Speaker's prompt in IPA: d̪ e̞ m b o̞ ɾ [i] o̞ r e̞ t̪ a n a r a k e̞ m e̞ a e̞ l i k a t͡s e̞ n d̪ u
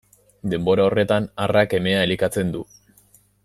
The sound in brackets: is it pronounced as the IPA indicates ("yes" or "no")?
no